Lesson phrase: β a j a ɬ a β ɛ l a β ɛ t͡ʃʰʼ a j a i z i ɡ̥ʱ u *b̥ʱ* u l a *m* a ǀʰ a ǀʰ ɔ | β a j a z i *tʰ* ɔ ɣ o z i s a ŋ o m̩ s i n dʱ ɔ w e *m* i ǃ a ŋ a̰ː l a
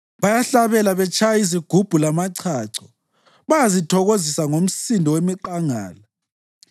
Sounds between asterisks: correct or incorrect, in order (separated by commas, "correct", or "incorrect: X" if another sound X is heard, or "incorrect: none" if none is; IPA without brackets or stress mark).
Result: correct, correct, correct, correct